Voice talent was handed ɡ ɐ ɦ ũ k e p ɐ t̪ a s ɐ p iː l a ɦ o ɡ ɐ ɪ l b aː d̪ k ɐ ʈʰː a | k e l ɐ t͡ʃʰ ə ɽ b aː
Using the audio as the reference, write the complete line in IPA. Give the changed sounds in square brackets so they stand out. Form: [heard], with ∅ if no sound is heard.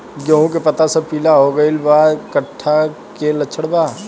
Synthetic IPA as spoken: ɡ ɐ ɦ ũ k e p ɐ t̪ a s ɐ p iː l a ɦ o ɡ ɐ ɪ l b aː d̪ k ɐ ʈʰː a | k e l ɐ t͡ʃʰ ə ɽ b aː

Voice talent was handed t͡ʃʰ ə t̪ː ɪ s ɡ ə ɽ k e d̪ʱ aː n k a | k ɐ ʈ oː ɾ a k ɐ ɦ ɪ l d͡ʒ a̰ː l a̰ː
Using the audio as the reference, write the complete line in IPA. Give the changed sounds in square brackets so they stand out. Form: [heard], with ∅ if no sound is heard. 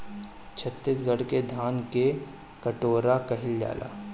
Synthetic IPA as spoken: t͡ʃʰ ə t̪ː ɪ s ɡ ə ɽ k e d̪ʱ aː n k [e] | k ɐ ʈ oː ɾ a k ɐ ɦ ɪ l d͡ʒ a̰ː l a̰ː

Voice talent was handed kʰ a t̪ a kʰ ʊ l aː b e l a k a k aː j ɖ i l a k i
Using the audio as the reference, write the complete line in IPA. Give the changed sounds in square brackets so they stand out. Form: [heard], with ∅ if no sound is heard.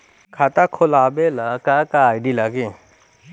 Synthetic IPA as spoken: kʰ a t̪ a kʰ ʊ l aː b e l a k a k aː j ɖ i l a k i

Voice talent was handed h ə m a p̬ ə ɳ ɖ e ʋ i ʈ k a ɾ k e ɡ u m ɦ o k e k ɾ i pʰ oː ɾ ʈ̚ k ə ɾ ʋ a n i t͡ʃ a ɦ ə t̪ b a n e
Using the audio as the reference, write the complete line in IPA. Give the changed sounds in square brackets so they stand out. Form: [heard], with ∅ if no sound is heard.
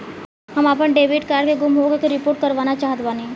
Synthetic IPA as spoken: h ə m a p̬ ə ɳ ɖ e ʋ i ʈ k a ɾ k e ɡ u m ɦ o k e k ɾ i [p] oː ɾ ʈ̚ k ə ɾ ʋ a n [a] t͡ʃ a ɦ ə t̪ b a n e

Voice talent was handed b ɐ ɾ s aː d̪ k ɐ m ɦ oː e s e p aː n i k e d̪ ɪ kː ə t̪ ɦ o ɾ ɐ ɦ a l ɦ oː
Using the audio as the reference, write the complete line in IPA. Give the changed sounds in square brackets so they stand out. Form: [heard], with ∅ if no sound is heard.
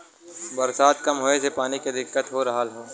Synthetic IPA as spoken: b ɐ ɾ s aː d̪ k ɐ m ɦ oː e s e p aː n i k e d̪ ɪ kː ə t̪ ɦ o ɾ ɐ ɦ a l ɦ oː

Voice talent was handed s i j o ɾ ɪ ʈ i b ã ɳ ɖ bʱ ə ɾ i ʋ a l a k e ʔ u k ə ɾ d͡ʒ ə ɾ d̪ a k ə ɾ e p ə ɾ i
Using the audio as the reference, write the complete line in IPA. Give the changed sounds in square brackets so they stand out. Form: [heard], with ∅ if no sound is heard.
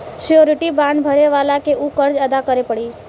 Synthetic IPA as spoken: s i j o ɾ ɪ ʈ i b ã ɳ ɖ bʱ ə ɾ [e] ʋ a l a k e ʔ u k ə ɾ d͡ʒ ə [∅] d̪ a k ə ɾ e p ə [ɽ] i

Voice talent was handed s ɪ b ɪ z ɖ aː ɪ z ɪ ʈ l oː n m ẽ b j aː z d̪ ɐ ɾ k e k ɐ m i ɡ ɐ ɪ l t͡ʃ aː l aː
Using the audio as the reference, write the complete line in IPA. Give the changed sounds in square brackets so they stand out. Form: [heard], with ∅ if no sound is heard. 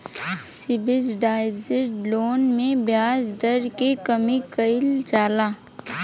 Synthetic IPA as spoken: s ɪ b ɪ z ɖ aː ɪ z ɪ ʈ l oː n m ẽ b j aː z d̪ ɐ ɾ k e k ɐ m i [k] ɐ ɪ l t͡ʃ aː l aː

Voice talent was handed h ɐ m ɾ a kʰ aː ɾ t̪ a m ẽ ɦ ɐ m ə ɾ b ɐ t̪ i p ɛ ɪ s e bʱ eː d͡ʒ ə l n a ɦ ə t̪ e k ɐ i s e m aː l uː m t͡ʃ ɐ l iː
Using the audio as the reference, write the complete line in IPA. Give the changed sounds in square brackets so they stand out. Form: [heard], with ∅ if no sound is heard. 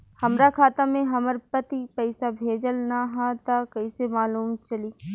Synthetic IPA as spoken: h ɐ m ɾ a kʰ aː [∅] t̪ a m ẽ ɦ ɐ m ə ɾ [p] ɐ t̪ i p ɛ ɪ s [a] bʱ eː d͡ʒ ə l n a ɦ [a] t̪ [a] k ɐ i s e m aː l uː m t͡ʃ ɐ l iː

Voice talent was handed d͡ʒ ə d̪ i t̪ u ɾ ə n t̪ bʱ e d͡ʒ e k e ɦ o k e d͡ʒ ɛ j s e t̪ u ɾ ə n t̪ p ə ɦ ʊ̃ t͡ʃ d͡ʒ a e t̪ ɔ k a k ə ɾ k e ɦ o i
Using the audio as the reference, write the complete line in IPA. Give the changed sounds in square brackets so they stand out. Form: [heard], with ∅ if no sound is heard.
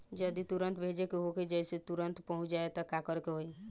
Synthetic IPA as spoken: d͡ʒ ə d̪ i t̪ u ɾ ə n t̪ bʱ e d͡ʒ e k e ɦ o k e d͡ʒ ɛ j s e t̪ u ɾ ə n t̪ p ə ɦ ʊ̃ t͡ʃ d͡ʒ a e t̪ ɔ k a k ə ɾ k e ɦ o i

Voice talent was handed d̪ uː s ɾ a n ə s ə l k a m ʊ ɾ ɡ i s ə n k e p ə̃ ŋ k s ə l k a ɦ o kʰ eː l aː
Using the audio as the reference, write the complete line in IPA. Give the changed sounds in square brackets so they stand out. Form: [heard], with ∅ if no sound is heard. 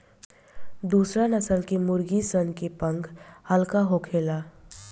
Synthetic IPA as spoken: d̪ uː s ɾ a n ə s ə l k [e] m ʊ ɾ ɡ i s ə n k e p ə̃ ŋ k [h] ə l k a ɦ o kʰ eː l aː

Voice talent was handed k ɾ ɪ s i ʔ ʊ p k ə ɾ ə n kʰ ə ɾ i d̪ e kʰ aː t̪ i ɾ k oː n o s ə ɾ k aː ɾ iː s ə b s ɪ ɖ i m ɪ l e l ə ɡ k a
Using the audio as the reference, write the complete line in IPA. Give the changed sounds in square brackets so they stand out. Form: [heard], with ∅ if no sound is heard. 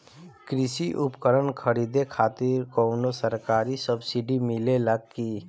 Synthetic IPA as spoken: k ɾ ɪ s i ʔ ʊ p k ə ɾ ə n kʰ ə ɾ i d̪ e kʰ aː t̪ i ɾ k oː n o s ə ɾ k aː ɾ [i] s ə b s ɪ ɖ i m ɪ l e l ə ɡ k [i]

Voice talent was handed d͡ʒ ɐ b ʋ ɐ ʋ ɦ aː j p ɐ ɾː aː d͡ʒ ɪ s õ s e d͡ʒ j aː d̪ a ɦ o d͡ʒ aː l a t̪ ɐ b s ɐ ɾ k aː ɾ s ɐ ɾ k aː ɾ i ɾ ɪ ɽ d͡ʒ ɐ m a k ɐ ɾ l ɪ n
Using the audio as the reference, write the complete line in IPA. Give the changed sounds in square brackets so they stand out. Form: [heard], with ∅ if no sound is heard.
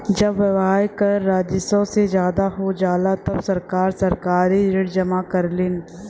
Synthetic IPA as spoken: d͡ʒ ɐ b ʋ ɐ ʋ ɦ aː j [k] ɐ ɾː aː d͡ʒ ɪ s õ s e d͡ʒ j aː d̪ a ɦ o d͡ʒ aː l a t̪ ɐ b s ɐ ɾ k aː ɾ s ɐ ɾ k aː ɾ i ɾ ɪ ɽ d͡ʒ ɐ m a k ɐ ɾ l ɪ n

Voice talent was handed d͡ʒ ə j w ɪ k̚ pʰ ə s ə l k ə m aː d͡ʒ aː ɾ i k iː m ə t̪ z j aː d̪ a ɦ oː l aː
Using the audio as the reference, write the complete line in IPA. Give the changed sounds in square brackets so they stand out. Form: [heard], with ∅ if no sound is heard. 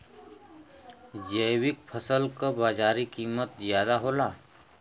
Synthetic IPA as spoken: d͡ʒ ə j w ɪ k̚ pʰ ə s ə l k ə [b] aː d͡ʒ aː ɾ i k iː m ə t̪ z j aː d̪ a ɦ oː l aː

